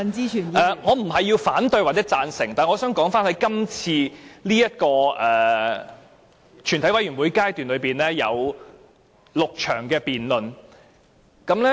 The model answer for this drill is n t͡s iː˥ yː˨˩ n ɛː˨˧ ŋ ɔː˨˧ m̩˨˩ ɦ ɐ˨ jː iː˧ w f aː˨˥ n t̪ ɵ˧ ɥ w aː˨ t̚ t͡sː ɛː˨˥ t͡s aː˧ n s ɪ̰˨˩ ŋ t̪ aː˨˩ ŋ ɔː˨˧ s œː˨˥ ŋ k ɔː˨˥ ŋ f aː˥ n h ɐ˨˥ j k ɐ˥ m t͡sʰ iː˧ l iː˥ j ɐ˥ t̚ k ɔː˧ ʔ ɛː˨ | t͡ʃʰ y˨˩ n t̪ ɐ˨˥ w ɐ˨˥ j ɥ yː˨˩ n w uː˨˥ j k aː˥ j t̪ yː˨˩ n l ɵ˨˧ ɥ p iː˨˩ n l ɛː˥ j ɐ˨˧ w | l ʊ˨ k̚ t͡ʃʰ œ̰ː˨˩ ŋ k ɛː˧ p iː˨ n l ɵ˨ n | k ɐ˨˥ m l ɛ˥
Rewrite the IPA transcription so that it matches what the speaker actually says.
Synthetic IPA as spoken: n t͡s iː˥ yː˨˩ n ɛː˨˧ ŋ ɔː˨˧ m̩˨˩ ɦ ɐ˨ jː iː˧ w f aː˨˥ n t̪ ɵ˧ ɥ w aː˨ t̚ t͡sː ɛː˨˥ t͡s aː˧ n s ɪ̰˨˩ ŋ t̪ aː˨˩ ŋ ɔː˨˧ s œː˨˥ ŋ k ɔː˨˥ ŋ f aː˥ n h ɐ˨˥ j k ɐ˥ m t͡sʰ iː˧ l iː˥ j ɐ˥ t̚ k ɔː˧ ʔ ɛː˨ | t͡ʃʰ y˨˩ n t̪ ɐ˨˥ w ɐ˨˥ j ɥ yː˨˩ n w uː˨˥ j k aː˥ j t̪ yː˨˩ n l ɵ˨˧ ɥ p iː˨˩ n l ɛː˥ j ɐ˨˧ w | l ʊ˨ k̚ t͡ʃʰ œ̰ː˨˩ ŋ k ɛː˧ p iː˨ n l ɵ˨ n | k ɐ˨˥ m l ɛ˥